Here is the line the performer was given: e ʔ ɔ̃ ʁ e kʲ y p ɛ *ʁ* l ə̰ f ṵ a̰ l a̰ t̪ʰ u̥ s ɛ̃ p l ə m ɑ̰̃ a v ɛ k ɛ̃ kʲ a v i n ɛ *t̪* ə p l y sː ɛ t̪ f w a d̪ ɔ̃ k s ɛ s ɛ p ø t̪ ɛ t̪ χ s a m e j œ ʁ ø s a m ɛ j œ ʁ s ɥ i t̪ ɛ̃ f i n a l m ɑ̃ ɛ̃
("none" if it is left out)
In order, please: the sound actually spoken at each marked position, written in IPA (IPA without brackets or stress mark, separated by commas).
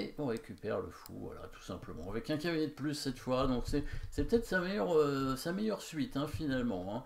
ʁ, d̪